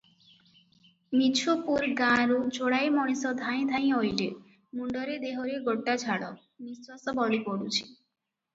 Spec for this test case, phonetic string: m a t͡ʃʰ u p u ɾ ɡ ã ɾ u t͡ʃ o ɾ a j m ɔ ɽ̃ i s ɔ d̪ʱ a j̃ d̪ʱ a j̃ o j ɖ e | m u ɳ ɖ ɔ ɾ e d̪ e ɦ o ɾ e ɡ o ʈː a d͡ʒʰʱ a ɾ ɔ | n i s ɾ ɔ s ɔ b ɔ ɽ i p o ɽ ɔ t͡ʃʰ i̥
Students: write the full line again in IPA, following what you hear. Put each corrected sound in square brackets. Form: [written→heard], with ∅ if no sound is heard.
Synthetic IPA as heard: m [a→i] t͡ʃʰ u p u ɾ ɡ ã ɾ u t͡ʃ o [ɾ→ɽ] a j m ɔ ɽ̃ i s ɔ d̪ʱ a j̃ d̪ʱ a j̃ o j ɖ e | m u ɳ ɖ ɔ ɾ e d̪ e ɦ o ɾ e ɡ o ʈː a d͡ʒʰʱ a [ɾ→ɽ] ɔ | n i s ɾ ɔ s ɔ b ɔ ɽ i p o ɽ [ɔ→u] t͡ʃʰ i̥